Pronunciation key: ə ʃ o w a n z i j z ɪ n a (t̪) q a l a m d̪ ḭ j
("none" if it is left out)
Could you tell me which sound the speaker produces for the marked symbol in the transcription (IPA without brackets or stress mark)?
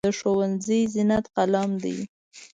t̪